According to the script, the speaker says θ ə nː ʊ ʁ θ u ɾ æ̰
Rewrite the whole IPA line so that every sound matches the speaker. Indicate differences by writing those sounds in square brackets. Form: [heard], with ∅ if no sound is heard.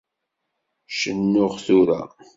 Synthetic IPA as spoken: [ʃ] ə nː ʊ ʁ θ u ɾ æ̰